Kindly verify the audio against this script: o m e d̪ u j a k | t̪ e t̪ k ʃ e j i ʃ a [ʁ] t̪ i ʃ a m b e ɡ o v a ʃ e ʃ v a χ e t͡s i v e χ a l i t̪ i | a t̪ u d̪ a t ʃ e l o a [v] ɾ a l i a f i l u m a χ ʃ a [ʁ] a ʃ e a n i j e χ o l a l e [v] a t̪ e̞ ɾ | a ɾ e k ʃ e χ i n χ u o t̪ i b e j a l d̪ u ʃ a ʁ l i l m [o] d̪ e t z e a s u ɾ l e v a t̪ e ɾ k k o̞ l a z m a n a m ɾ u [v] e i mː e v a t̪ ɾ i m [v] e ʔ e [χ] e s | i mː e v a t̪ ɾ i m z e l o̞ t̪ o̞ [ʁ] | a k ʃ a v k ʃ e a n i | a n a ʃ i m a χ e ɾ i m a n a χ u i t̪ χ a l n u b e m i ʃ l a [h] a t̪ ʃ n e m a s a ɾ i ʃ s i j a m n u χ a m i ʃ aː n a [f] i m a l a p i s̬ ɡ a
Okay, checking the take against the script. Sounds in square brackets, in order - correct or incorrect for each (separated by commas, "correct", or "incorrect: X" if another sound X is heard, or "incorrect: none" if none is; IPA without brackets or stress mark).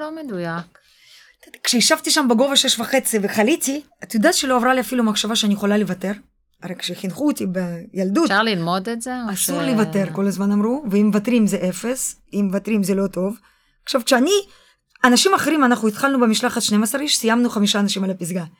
incorrect: v, correct, incorrect: v, correct, correct, correct, incorrect: z, incorrect: f, incorrect: v, incorrect: χ, incorrect: ʃ